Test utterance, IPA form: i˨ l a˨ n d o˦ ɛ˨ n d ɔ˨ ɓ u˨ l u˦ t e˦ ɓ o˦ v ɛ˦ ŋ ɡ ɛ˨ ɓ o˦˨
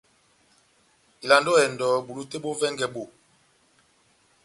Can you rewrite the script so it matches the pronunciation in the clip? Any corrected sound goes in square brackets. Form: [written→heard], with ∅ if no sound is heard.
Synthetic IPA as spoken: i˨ l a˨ n d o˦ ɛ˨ n d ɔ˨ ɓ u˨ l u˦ t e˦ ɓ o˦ v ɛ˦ ŋ ɡ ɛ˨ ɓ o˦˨